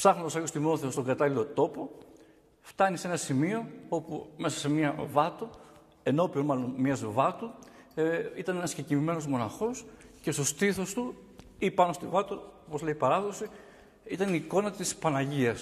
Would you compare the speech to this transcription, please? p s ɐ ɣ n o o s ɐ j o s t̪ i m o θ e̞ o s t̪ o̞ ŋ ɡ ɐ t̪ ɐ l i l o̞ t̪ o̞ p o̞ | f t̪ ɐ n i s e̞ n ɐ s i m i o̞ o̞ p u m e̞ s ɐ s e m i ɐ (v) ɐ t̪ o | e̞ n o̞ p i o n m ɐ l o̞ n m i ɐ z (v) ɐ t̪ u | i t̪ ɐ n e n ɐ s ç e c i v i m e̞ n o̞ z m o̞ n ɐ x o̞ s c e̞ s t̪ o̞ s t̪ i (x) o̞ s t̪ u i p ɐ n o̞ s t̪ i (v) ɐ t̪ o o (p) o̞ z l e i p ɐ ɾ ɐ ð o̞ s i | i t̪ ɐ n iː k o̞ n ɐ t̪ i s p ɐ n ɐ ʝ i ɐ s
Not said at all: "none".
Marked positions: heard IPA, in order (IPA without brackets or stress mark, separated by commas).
v, v, θ, v, p